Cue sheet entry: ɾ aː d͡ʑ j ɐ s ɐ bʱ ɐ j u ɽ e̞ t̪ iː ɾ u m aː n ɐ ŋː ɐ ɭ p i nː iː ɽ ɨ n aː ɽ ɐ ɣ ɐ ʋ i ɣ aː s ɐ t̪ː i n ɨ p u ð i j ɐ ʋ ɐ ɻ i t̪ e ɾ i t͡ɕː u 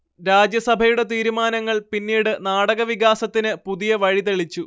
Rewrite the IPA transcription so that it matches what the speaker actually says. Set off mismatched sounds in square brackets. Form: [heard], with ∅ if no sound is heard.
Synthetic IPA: ɾ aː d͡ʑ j ɐ s ɐ bʱ ɐ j u ɽ e̞ t̪ iː ɾ u m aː n ɐ ŋː ɐ ɭ p i nː iː ɽ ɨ n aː ɽ ɐ ɣ ɐ ʋ i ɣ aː s ɐ t̪ː i n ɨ p u ð i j ɐ ʋ ɐ ɻ i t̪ e [ɭ] i t͡ɕː u